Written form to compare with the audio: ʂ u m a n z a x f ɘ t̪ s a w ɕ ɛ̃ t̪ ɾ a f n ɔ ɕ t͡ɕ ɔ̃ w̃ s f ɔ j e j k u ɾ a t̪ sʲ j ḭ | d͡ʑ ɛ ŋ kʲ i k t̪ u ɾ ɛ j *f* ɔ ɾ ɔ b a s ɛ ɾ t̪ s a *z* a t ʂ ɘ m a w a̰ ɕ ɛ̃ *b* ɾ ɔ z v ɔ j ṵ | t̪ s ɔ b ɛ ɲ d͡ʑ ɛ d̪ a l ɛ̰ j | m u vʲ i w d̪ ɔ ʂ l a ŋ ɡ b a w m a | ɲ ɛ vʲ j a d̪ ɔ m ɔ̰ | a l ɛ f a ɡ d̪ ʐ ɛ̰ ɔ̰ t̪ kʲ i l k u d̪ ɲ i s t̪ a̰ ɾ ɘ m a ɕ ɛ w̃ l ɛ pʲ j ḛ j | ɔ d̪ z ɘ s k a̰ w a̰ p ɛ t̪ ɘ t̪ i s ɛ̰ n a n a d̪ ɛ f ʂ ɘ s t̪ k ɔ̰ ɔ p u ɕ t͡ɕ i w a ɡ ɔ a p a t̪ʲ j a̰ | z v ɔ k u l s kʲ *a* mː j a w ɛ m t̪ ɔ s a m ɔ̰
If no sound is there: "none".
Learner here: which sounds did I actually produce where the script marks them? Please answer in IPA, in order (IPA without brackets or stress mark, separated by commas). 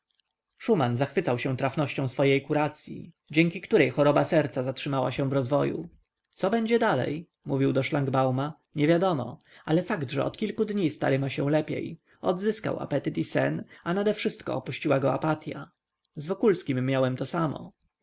x, z, v, i